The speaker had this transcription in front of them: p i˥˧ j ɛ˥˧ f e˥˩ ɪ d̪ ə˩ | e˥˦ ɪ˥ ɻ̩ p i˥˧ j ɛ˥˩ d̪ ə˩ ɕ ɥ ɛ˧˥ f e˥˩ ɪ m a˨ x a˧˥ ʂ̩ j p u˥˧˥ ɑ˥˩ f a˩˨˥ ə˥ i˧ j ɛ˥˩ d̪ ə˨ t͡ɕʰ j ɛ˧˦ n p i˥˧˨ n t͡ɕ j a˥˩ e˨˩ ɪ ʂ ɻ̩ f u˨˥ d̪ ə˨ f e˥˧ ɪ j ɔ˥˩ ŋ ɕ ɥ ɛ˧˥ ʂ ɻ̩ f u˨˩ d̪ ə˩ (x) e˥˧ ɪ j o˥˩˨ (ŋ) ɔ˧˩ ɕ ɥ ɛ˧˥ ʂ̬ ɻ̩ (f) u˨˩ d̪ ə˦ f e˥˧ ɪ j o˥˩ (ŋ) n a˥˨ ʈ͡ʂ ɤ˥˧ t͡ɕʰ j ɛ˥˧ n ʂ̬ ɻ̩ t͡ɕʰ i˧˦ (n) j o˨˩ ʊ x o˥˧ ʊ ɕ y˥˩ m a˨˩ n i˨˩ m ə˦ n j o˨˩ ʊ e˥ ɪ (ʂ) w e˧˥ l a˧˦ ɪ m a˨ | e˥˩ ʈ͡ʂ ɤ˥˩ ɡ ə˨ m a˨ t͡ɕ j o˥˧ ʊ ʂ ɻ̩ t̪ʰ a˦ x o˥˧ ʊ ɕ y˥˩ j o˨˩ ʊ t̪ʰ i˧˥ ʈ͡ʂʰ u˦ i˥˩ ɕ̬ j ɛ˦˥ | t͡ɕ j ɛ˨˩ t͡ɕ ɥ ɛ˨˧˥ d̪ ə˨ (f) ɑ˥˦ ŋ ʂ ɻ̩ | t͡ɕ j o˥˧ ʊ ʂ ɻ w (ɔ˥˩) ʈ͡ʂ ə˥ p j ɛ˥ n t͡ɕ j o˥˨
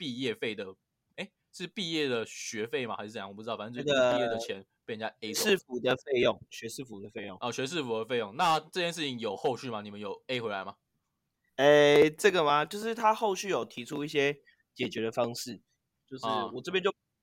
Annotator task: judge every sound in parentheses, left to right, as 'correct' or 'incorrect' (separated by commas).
incorrect, correct, correct, correct, incorrect, incorrect, correct, incorrect